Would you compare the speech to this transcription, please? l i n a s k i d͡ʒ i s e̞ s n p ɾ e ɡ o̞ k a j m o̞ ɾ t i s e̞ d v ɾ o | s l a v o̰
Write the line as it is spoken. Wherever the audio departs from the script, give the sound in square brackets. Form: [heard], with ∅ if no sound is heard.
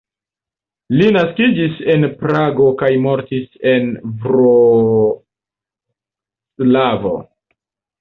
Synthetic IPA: l i n a s k i d͡ʒ i s e̞ [∅] n p ɾ [a] ɡ o̞ k a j m o̞ ɾ t i s e̞ [n] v ɾ o | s l a v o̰